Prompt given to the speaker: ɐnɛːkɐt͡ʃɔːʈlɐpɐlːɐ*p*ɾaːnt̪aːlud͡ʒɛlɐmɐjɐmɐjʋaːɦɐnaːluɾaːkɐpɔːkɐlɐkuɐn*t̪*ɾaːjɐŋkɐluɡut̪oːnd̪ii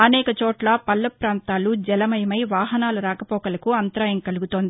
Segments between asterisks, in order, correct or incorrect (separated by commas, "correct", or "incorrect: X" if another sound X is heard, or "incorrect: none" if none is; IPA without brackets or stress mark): correct, correct